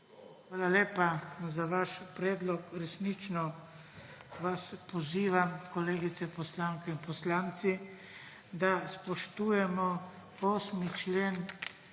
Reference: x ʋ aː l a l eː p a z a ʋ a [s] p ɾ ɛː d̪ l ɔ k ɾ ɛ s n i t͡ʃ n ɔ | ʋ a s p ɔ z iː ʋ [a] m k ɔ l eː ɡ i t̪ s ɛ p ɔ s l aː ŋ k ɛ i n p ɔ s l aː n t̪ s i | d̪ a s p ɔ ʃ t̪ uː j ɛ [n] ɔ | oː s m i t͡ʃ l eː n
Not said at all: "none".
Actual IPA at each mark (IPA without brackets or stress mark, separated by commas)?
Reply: ʃ, a, m